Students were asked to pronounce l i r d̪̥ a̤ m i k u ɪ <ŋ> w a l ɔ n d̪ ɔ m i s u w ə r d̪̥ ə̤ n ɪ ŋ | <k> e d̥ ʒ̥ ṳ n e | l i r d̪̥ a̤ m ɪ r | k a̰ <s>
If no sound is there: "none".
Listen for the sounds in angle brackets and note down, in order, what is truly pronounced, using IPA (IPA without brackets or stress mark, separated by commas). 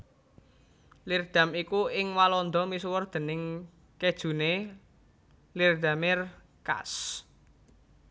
ŋ, k, s